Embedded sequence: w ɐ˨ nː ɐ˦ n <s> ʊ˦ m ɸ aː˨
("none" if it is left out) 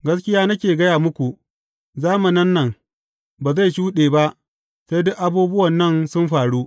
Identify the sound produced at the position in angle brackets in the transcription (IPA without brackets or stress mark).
s